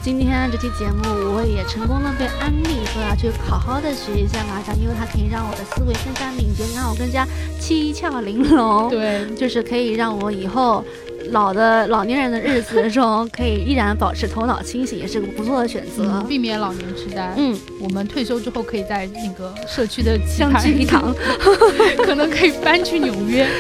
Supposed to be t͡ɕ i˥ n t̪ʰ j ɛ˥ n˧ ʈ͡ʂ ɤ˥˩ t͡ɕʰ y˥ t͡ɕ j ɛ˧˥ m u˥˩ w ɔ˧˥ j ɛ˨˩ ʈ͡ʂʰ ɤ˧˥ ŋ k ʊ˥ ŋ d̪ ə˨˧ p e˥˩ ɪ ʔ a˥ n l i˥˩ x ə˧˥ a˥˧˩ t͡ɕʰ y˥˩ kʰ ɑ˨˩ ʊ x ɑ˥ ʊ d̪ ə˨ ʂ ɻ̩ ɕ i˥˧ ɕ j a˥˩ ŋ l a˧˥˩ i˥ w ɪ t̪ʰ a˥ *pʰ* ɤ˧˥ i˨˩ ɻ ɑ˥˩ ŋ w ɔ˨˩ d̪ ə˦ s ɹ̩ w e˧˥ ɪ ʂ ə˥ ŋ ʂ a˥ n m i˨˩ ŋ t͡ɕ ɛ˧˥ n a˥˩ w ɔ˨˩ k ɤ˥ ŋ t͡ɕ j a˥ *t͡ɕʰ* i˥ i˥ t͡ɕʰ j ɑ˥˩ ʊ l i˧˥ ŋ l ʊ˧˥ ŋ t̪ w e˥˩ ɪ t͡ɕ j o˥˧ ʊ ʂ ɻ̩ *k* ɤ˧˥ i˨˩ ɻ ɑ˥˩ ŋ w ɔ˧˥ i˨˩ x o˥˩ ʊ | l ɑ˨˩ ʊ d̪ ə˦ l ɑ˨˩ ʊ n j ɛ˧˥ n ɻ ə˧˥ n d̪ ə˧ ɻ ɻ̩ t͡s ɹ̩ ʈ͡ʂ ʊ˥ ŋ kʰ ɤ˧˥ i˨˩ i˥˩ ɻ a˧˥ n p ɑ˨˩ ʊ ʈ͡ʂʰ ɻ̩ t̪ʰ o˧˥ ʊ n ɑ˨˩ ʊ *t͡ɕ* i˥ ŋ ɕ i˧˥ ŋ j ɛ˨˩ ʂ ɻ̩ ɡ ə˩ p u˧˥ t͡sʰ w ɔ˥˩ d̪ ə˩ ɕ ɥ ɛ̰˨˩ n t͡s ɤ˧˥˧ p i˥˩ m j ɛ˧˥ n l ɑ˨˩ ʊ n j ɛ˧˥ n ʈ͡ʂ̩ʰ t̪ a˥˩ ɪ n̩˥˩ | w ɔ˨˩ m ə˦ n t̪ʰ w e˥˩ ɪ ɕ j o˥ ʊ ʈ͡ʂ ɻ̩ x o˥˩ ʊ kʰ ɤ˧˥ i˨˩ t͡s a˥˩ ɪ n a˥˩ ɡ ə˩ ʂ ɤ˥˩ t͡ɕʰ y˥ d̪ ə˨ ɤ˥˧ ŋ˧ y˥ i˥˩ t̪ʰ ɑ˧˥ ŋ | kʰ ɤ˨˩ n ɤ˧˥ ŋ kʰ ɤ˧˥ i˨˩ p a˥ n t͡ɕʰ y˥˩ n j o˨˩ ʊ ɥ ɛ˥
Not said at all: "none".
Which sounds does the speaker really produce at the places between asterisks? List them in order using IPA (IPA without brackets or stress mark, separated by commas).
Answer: kʰ, t͡ɕʰ, kʰ, t͡ɕʰ